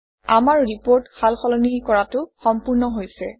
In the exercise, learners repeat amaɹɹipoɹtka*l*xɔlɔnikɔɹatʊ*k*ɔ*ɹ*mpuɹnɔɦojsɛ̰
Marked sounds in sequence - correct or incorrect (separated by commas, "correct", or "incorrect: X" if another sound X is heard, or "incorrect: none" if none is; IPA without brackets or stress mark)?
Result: correct, incorrect: x, incorrect: none